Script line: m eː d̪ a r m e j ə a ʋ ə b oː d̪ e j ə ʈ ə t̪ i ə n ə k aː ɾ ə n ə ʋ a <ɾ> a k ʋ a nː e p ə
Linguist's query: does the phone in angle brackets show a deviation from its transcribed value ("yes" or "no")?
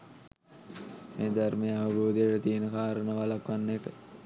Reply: yes